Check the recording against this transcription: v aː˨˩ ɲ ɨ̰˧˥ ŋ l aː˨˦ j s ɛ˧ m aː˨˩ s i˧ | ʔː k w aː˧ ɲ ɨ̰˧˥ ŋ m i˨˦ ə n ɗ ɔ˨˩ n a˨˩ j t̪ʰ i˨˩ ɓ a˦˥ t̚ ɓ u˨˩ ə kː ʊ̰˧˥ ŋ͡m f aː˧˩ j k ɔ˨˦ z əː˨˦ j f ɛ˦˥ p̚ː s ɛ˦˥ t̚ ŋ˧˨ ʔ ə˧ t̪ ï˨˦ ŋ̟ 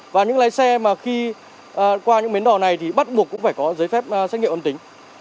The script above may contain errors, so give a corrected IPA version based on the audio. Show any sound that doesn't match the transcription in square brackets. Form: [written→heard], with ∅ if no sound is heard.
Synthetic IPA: v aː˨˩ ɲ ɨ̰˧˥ ŋ l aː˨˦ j s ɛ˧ m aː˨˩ [s→x] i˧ | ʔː k w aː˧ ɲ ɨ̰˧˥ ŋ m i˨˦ ə n ɗ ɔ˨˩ n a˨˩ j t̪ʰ i˨˩ ɓ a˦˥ t̚ ɓ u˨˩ ə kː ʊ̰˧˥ ŋ͡m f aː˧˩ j k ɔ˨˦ z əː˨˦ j f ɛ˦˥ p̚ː s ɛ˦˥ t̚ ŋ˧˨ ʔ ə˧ t̪ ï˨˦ ŋ̟